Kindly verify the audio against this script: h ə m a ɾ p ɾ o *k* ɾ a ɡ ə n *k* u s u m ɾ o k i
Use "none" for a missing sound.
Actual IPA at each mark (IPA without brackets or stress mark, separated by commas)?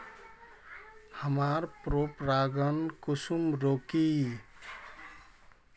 p, k